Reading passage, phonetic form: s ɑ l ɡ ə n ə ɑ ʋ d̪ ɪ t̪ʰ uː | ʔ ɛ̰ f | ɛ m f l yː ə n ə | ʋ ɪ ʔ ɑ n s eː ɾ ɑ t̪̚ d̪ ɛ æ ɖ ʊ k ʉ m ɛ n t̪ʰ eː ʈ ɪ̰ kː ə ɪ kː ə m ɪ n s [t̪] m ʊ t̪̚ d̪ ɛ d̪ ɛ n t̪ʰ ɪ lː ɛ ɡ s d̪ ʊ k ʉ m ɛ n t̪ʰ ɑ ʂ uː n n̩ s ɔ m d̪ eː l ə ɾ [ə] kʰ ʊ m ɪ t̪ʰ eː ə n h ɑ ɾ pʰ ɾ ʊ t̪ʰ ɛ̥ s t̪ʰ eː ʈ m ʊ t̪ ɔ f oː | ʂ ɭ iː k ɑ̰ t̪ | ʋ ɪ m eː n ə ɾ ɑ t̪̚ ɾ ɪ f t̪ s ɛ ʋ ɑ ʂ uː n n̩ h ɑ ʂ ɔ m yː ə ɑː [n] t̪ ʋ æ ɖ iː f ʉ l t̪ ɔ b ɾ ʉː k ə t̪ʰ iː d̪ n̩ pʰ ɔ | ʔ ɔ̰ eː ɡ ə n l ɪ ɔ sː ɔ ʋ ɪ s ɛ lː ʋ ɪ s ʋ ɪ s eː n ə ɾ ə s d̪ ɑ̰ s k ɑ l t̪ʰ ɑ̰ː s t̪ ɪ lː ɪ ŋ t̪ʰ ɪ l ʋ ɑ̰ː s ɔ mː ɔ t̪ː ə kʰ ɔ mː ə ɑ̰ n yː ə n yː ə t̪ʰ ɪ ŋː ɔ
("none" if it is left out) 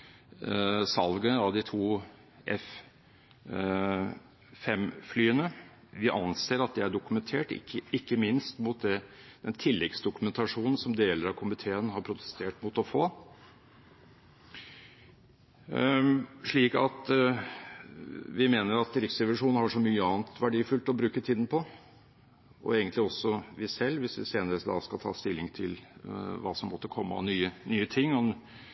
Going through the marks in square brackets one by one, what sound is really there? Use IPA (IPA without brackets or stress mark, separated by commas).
t̪, ɑ, n